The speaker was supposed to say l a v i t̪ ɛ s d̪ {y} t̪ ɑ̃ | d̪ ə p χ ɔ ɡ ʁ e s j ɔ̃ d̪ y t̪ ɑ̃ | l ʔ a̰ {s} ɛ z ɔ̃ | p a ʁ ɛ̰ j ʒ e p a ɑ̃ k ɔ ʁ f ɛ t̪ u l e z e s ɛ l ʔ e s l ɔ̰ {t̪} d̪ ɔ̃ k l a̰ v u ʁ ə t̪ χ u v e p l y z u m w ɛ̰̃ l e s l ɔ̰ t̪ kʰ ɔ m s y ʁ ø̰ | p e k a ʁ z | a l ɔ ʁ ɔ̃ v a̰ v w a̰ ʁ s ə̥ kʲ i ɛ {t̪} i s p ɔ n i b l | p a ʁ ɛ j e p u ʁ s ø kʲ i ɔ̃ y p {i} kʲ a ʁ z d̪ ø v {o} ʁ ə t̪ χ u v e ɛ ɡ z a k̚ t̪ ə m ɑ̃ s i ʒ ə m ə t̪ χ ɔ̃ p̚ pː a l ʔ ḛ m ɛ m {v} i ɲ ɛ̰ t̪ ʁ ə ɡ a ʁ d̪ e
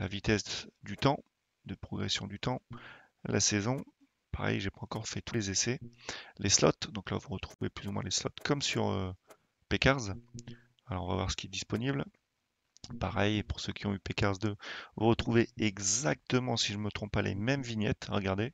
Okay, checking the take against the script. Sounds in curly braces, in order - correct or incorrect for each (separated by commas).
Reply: correct, correct, correct, incorrect, incorrect, incorrect, correct